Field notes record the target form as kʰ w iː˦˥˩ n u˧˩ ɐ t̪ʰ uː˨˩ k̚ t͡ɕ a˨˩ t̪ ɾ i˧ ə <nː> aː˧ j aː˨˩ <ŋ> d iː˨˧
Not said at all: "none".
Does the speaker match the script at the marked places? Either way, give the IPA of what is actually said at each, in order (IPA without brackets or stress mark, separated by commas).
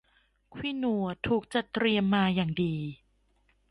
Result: mː, ŋ